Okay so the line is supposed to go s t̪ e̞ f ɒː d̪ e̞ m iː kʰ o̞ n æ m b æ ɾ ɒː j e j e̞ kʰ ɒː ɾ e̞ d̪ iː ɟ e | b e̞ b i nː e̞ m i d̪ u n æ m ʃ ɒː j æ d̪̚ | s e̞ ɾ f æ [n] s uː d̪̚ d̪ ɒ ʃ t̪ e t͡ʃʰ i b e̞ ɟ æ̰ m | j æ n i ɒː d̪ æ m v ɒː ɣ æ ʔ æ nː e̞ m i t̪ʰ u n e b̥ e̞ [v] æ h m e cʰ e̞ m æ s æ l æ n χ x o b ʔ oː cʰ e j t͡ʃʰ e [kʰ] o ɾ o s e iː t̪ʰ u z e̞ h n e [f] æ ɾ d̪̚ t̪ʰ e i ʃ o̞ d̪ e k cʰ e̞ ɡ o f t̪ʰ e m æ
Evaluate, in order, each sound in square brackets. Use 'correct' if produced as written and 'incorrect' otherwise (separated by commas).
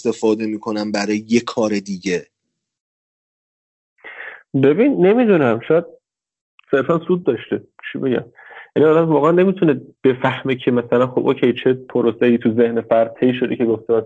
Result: correct, incorrect, incorrect, correct